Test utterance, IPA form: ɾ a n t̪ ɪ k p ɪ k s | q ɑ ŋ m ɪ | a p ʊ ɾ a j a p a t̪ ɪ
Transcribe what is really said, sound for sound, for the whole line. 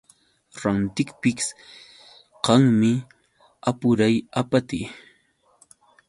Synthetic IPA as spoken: ɾ a n t̪ ɪ k p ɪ k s | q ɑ ŋ m ɪ | a p ʊ ɾ a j a p a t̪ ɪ